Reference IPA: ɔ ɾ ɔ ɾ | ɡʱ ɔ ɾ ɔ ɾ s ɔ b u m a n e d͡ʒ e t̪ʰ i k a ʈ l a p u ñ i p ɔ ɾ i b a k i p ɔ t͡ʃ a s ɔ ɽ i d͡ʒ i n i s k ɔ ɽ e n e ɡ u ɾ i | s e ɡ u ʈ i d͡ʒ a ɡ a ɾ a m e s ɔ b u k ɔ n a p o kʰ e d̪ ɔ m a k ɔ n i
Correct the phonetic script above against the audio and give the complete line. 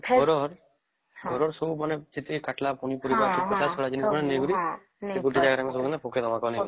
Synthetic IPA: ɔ ɾ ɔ ɾ | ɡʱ ɔ ɾ ɔ ɾ s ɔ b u m a n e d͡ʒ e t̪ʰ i k a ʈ l a p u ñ i p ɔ ɾ i b a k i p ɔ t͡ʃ a s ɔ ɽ a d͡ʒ i n i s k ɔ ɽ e n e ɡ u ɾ i | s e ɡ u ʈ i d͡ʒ a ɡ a ɾ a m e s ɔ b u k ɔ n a p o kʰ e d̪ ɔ m a k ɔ n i